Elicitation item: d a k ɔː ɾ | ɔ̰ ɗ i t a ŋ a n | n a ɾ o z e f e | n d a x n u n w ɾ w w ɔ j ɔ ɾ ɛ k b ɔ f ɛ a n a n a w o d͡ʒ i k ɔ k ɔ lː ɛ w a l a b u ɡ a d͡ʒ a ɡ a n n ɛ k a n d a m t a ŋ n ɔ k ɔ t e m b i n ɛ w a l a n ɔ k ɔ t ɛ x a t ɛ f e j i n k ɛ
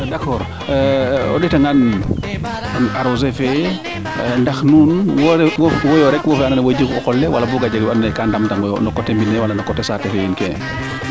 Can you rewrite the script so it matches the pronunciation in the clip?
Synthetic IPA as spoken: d a k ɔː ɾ | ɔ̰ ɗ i t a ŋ a n | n a ɾ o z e f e | n d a x n u n w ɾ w w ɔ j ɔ ɾ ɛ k w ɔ f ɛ a n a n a w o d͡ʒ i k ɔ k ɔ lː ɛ w a l a b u ɡ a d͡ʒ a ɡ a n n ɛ k a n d a m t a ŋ n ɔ k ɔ t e m b i n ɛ w a l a n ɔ k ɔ t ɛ s a t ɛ f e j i n k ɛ